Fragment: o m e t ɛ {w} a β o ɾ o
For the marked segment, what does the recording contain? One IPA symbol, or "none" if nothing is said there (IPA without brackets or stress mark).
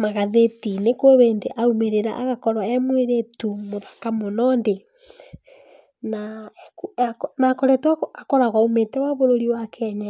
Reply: w